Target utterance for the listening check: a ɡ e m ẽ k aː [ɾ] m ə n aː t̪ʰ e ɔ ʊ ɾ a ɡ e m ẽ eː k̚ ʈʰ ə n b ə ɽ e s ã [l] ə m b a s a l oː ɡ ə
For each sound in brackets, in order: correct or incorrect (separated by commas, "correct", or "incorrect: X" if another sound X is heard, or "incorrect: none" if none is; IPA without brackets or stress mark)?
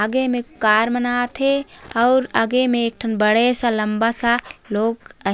correct, correct